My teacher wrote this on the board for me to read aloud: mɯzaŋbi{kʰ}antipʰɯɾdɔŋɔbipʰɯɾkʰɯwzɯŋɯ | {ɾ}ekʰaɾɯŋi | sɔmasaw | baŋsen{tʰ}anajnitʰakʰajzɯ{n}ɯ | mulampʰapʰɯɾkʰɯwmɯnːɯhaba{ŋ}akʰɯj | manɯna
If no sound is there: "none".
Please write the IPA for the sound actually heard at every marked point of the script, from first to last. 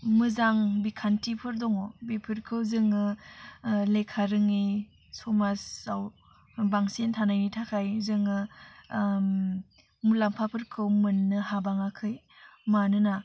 kʰ, l, tʰ, ŋ, ŋ

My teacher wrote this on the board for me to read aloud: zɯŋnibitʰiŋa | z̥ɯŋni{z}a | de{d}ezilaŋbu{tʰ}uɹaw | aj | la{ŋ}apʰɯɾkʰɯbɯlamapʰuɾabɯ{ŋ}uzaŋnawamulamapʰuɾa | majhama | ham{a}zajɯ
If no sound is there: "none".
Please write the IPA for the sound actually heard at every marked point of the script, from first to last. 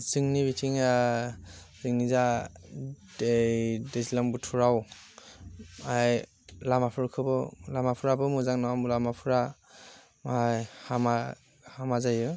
z, d, tʰ, m, m, a

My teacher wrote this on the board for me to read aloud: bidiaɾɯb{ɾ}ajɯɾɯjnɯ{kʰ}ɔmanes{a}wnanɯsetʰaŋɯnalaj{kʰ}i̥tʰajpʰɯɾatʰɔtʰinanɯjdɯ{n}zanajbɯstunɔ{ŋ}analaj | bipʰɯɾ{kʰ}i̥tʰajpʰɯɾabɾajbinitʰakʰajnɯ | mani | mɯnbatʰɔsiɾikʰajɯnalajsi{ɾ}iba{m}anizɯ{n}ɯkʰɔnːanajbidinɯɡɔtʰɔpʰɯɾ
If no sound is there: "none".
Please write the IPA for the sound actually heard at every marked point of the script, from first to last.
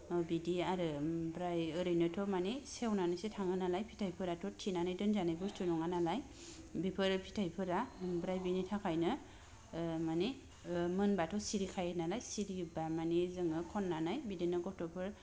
ɾ, tʰ, e, pʰ, n, ŋ, pʰ, ɾ, m, ŋ

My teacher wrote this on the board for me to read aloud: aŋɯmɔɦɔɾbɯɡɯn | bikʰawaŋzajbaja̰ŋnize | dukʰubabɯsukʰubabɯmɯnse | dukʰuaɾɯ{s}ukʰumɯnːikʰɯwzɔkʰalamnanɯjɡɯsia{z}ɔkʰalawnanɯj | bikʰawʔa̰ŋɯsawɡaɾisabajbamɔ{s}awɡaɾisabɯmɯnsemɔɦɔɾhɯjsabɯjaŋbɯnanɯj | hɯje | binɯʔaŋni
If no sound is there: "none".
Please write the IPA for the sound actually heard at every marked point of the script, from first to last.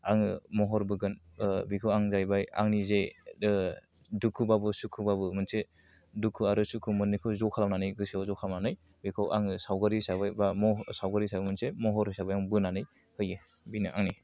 s, z, s

